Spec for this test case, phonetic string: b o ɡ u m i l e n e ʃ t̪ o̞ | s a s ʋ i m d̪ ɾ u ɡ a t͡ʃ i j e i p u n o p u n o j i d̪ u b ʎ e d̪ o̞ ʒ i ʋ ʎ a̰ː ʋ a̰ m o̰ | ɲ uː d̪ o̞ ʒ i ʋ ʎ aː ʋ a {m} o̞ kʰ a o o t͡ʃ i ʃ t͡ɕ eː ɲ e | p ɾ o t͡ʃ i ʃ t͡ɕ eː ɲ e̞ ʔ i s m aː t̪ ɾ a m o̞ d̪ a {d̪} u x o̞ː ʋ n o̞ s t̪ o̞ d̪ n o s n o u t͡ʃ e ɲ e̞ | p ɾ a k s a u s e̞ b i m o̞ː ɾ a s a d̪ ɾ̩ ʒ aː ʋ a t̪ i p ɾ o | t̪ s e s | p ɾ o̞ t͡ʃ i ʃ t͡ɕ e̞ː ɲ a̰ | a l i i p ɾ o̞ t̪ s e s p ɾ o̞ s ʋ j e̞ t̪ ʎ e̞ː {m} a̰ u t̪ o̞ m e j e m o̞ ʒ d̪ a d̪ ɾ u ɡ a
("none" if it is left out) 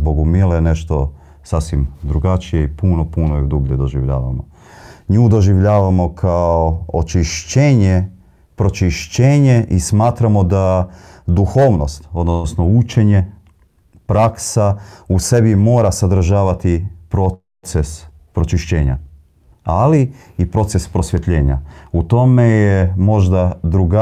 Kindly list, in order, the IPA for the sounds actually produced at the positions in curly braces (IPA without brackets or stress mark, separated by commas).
m, d̪, ɲ